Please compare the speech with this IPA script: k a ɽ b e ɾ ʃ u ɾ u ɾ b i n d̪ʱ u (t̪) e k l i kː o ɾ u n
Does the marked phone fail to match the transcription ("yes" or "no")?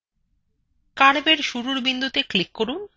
no